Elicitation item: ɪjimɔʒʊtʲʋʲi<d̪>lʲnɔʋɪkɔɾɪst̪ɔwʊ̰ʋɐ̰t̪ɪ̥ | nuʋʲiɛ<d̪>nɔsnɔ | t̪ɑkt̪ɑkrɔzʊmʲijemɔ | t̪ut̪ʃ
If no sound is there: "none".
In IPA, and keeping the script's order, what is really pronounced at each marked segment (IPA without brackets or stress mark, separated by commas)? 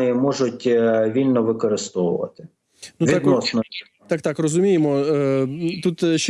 none, d̪